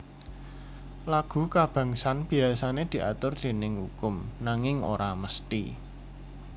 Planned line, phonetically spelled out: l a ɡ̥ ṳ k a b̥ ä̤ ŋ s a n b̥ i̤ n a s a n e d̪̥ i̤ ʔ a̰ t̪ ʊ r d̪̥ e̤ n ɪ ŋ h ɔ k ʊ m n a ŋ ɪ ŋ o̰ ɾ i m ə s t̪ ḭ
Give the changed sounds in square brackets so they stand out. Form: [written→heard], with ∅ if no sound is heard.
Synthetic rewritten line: l a ɡ̥ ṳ k a b̥ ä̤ ŋ s a n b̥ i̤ [n→∅] a s a n e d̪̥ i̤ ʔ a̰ t̪ ʊ r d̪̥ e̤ n ɪ ŋ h [ɔ→u] k ʊ m n a ŋ ɪ ŋ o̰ ɾ [i→a] m ə s t̪ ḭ